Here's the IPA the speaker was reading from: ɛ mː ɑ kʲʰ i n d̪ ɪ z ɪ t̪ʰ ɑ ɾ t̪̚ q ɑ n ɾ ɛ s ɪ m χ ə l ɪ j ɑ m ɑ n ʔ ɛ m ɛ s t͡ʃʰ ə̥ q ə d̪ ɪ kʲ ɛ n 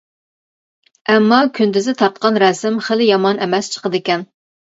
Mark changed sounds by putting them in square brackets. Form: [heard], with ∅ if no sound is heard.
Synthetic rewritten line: ɛ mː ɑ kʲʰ [y] n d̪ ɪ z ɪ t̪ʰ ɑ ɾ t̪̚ q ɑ n ɾ ɛ s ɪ m χ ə l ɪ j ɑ m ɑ n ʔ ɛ m ɛ s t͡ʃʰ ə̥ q ə d̪ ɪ kʲ ɛ n

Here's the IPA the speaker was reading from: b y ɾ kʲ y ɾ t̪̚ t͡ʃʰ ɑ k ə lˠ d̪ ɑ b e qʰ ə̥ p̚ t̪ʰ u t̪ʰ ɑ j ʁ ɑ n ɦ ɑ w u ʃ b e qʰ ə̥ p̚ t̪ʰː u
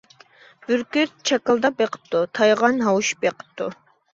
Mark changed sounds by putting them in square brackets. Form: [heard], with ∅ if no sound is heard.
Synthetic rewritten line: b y ɾ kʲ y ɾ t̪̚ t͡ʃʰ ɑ k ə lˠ d̪ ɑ b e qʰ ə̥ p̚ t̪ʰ u t̪ʰ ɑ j ʁ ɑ n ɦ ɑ w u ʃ b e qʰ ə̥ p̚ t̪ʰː u

